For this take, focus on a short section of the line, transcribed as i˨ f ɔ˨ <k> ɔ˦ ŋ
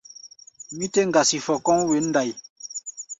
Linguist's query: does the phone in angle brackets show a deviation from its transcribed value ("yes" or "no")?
no